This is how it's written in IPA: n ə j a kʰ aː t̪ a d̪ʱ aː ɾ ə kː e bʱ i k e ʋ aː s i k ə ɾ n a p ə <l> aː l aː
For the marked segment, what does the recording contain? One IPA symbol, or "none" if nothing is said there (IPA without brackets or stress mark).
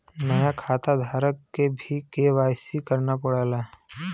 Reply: ɽ